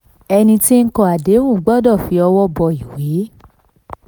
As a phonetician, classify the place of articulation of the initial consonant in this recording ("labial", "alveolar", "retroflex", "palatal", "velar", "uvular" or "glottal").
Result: alveolar